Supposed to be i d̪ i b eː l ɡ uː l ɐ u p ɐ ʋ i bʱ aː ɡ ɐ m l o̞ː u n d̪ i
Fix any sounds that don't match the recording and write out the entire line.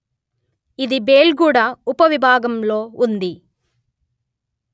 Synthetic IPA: i d̪ i b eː l ɡ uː ɽ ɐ u p ɐ ʋ i bʱ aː ɡ ɐ m l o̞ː u n d̪ i